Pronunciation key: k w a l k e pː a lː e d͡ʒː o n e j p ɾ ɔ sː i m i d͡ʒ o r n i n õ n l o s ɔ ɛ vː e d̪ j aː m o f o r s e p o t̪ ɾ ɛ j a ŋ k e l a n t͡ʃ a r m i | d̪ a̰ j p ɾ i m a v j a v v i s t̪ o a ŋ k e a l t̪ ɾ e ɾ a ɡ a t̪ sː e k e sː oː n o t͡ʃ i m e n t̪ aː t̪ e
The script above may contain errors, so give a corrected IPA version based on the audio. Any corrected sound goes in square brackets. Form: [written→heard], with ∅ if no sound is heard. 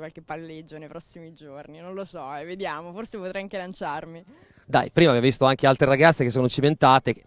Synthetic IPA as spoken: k w a l k e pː a lː e d͡ʒː o n e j p ɾ ɔ sː i m i d͡ʒ o r n i n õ n l o s ɔ ɛ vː e d̪ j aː m o f o r s e p o t̪ ɾ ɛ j a ŋ k e l a n t͡ʃ a r m i | d̪ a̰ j p ɾ i m a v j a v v i s t̪ o a ŋ k e a l t̪ ɾ e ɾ a ɡ a t̪ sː e k e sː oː n o t͡ʃ i m e n t̪ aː t̪ e